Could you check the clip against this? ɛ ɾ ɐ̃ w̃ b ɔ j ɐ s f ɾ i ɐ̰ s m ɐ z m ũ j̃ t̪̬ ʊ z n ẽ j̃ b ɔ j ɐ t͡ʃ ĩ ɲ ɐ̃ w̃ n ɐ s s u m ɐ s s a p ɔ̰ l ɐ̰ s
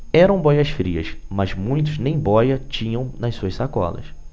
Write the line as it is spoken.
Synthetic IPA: ɛ ɾ ɐ̃ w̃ b ɔ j ɐ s f ɾ i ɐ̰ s m ɐ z m ũ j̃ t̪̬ ʊ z n ẽ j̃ b ɔ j ɐ t͡ʃ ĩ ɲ ɐ̃ w̃ n ɐ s s u ɐ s s a k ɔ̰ l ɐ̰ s